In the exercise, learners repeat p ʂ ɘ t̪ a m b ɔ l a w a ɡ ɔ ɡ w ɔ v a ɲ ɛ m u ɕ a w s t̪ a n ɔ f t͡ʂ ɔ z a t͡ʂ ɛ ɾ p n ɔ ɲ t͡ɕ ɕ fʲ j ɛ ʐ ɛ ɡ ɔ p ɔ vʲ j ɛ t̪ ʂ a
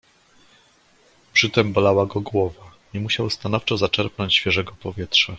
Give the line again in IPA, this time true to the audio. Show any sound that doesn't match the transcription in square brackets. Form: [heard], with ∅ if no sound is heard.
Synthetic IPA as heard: p ʂ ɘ t̪ [ɛ] m b ɔ l a w a ɡ ɔ ɡ w ɔ v a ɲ ɛ m u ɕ a w s t̪ a n ɔ f t͡ʂ ɔ z a t͡ʂ ɛ ɾ p n ɔ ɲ t͡ɕ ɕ fʲ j ɛ ʐ ɛ ɡ ɔ p ɔ vʲ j ɛ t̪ ʂ a